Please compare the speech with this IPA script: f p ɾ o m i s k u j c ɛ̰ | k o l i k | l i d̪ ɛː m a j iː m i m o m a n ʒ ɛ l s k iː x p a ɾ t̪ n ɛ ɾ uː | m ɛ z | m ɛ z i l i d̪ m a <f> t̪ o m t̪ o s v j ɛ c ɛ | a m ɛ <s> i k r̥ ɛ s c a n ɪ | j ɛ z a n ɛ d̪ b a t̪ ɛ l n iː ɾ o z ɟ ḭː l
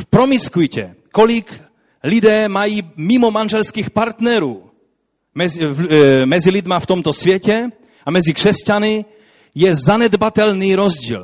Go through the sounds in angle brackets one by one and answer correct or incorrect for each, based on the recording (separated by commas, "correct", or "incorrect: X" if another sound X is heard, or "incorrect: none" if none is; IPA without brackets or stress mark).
correct, incorrect: z